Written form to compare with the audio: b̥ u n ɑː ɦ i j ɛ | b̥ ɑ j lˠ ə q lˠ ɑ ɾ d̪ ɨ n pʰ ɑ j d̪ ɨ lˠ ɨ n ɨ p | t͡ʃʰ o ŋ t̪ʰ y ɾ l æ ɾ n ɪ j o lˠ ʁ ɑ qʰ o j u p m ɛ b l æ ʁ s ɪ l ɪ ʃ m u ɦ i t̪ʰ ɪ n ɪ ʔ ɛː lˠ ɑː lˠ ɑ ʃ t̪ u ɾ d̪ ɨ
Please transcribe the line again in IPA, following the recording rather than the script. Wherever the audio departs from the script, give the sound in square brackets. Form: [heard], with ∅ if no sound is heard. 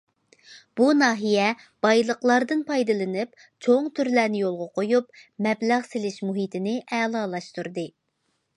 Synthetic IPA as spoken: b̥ u n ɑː ɦ i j ɛ | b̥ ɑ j lˠ ə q lˠ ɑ ɾ d̪ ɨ n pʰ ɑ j d̪ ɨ lˠ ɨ n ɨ p | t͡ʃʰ o ŋ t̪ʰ y ɾ l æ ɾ n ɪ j o lˠ ʁ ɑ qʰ o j u p m ɛ b l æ ʁ s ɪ l ɪ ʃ m u ɦ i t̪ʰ ɪ n ɪ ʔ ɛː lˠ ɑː lˠ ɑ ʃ t̪ u ɾ d̪ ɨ

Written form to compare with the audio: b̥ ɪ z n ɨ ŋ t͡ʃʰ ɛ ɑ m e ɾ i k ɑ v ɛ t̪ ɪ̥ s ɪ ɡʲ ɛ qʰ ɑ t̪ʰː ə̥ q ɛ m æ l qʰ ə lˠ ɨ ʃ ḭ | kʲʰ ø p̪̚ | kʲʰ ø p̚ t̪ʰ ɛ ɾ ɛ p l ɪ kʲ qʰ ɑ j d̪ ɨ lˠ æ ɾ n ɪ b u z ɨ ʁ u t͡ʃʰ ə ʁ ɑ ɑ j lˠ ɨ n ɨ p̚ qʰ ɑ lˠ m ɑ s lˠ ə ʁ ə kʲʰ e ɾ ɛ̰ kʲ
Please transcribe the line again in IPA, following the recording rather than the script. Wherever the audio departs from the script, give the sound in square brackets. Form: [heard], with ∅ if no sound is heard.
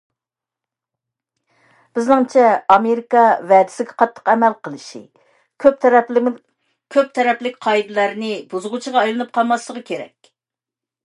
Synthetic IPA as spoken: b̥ ɪ z n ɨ ŋ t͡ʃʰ ɛ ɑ m e ɾ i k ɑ v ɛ [d̪] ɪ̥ s ɪ ɡʲ ɛ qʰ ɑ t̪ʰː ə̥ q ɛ m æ l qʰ ə lˠ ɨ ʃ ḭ | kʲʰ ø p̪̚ | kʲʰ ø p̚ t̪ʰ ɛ ɾ ɛ p l ɪ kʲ qʰ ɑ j d̪ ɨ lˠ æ ɾ n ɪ b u z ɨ ʁ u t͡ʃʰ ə ʁ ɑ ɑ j lˠ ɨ n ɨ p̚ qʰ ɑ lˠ m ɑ s lˠ ə ʁ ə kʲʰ e ɾ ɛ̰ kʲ

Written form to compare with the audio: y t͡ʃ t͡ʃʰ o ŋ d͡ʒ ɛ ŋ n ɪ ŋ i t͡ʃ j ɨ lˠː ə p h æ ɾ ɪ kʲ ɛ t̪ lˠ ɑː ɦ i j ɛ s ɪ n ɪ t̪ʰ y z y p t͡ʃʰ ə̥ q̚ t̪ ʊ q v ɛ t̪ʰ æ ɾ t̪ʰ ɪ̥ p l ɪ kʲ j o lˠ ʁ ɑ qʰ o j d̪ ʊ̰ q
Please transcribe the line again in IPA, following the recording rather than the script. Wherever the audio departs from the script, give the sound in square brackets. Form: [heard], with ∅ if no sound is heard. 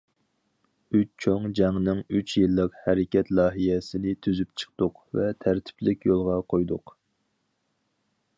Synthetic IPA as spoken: y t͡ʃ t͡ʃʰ o ŋ d͡ʒ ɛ ŋ n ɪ ŋ [y] t͡ʃ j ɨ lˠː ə [q] h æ ɾ ɪ kʲ ɛ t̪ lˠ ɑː ɦ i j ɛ s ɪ n ɪ t̪ʰ y z y p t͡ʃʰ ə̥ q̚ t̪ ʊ q v ɛ t̪ʰ æ ɾ t̪ʰ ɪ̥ p l ɪ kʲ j o lˠ ʁ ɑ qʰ o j d̪ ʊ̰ q

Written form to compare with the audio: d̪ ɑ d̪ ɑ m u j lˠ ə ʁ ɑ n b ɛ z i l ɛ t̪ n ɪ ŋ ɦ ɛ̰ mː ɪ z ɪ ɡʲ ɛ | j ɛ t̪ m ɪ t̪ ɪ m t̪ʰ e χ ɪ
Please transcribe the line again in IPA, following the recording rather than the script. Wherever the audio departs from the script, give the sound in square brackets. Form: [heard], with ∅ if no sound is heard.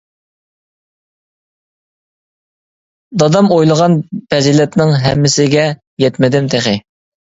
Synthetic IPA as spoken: d̪ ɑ d̪ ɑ m [o] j lˠ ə ʁ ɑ n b ɛ z i l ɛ t̪ n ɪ ŋ ɦ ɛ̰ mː ɪ [s] ɪ ɡʲ ɛ | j ɛ t̪ m ɪ [d̪] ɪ m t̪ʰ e χ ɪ

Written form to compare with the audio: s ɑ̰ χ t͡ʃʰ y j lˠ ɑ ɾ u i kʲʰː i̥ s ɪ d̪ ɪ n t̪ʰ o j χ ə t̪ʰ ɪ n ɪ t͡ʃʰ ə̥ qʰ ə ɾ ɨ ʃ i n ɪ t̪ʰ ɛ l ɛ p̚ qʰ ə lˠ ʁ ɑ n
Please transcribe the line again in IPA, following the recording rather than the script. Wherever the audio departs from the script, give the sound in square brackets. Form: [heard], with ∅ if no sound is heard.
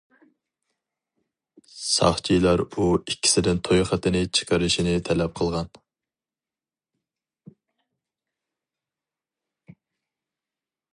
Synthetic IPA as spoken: s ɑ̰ χ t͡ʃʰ [i] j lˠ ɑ ɾ u i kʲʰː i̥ s ɪ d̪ ɪ n t̪ʰ o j χ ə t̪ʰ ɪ n ɪ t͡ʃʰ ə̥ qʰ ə ɾ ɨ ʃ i n ɪ t̪ʰ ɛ l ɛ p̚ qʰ ə lˠ ʁ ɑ n

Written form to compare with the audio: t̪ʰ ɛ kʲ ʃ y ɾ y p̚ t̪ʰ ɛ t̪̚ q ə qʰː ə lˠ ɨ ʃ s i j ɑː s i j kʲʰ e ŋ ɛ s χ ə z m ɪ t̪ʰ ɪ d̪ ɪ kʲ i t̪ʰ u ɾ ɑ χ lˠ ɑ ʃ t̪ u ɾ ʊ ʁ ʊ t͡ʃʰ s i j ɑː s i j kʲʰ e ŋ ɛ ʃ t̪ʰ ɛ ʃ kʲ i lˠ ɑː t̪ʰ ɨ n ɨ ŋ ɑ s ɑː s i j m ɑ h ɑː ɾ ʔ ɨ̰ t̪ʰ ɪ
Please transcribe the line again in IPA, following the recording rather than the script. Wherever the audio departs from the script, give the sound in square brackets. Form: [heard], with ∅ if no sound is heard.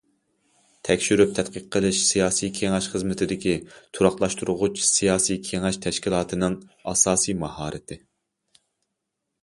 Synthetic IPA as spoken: t̪ʰ ɛ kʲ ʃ y ɾ y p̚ t̪ʰ ɛ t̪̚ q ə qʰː ə lˠ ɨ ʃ s i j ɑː s i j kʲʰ e ŋ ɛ [ʃ] χ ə z m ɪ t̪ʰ ɪ d̪ ɪ kʲ i t̪ʰ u ɾ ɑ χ lˠ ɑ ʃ t̪ u ɾ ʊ ʁ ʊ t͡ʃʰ s i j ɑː s i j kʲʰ e ŋ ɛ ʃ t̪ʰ ɛ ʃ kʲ i lˠ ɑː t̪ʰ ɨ n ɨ ŋ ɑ s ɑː s i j m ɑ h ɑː ɾ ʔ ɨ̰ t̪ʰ ɪ

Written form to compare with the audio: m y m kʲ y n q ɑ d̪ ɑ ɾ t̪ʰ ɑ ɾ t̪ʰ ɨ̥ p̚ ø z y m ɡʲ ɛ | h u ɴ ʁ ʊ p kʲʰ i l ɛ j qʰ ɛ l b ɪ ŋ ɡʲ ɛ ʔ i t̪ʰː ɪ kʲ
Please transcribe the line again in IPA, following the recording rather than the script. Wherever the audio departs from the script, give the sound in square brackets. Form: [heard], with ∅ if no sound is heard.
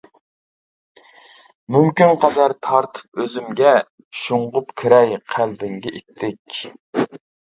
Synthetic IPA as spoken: m y m kʲ y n q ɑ d̪ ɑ ɾ t̪ʰ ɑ ɾ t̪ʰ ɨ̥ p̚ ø z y m ɡʲ ɛ | [ʃ] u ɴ ʁ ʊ p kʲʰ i [ɾ] ɛ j qʰ [æ] l b ɪ ŋ ɡʲ ɛ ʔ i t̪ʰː ɪ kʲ

